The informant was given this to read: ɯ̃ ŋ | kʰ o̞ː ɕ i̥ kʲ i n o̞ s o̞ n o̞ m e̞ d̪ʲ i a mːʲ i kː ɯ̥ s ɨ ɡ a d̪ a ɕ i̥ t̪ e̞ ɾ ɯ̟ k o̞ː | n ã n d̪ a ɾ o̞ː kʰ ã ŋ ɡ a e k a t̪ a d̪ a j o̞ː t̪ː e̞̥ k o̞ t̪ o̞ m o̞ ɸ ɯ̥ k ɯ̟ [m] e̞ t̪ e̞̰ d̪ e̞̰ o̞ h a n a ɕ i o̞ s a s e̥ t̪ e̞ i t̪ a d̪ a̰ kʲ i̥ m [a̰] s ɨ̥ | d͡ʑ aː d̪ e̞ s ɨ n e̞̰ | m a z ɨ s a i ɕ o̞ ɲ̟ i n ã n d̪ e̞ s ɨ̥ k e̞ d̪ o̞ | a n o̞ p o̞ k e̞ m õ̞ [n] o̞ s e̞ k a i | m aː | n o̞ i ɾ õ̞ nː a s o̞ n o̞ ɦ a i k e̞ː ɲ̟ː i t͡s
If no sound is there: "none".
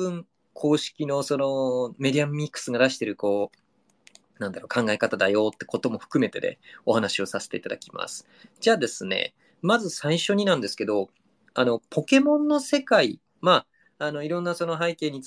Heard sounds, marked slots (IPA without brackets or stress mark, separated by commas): m, a̰, nː